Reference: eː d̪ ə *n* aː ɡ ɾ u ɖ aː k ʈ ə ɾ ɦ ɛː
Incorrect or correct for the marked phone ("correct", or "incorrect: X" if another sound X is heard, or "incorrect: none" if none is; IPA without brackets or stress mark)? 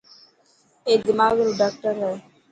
incorrect: m